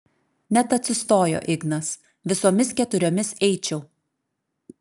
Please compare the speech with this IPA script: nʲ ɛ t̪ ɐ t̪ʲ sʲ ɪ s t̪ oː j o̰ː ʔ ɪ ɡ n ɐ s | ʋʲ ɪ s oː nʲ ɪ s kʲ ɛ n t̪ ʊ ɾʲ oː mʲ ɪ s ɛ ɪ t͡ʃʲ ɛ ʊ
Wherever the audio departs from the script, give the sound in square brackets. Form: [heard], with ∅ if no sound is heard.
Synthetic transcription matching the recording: nʲ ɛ t̪ ɐ t̪ʲ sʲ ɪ s t̪ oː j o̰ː ʔ ɪ ɡ n ɐ s | ʋʲ ɪ s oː [mʲ] ɪ s kʲ ɛ [∅] t̪ ʊ ɾʲ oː mʲ ɪ s ɛ ɪ t͡ʃʲ ɛ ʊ